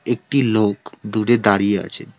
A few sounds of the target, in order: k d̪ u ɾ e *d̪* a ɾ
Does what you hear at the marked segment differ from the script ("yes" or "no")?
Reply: no